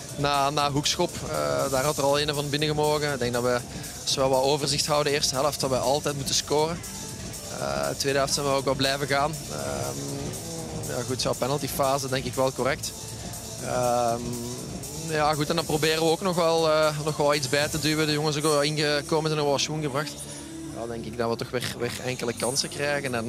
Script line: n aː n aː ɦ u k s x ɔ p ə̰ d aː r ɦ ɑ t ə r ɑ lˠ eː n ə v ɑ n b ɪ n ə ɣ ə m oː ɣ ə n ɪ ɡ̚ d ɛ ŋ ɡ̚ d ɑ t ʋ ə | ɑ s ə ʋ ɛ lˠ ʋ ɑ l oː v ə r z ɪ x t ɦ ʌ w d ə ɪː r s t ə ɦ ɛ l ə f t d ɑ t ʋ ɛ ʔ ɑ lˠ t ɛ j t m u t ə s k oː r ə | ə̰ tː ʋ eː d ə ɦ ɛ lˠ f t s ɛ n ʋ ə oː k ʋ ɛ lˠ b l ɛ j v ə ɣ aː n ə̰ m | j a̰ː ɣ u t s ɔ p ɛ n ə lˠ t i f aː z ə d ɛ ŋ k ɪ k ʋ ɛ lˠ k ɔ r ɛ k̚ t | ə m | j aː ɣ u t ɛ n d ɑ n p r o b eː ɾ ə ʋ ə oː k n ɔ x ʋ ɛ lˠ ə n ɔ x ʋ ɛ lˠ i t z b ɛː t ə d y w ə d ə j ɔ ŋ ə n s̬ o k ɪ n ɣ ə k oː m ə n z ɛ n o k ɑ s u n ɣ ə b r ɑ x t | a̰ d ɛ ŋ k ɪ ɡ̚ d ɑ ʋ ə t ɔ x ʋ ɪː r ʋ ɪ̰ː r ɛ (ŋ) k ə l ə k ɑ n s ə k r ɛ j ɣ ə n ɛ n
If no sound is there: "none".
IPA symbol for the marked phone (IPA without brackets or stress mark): ŋ